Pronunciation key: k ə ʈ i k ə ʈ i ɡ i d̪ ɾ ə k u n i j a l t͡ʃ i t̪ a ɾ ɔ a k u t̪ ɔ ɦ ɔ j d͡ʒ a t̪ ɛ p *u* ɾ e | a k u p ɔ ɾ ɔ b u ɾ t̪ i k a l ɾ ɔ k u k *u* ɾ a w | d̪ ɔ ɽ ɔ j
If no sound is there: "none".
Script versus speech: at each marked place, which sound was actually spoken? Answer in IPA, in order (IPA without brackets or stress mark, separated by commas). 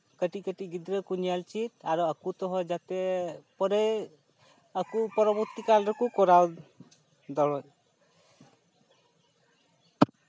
ɔ, ɔ